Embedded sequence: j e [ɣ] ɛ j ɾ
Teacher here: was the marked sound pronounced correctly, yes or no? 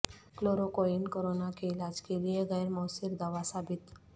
yes